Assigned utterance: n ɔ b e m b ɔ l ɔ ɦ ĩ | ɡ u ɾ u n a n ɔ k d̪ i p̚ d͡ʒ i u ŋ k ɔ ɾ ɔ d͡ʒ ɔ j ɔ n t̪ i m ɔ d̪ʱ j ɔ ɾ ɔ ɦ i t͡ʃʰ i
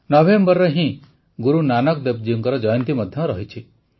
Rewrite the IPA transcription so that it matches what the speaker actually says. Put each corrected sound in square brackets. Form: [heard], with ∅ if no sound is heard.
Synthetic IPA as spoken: n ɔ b e m b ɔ [ɾ] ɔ ɦ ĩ | ɡ u ɾ u n a n ɔ k d̪ [e] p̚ d͡ʒ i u ŋ k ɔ ɾ ɔ d͡ʒ ɔ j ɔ n t̪ i m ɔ d̪ʱ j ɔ ɾ ɔ ɦ i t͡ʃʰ i